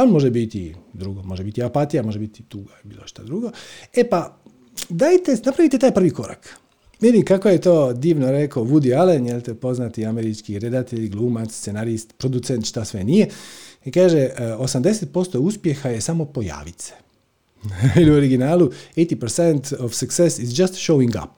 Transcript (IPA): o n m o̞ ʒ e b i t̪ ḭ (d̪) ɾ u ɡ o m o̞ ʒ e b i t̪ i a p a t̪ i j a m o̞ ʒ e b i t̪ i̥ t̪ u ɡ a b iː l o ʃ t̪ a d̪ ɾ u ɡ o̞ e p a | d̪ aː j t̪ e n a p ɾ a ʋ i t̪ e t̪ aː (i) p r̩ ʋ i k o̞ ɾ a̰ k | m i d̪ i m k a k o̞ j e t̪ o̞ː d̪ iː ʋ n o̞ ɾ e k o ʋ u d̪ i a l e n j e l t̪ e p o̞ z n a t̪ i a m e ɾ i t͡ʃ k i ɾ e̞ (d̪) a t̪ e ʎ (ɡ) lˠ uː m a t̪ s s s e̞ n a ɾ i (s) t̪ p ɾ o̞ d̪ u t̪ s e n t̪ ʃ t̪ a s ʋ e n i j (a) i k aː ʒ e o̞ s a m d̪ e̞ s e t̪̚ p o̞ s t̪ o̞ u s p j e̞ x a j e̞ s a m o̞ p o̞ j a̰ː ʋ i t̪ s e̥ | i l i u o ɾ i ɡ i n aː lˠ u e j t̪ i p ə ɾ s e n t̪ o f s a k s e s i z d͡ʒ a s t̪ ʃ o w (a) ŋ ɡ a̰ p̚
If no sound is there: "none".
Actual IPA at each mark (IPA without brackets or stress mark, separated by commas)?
d̪, j, d̪, ɡ, s, e, i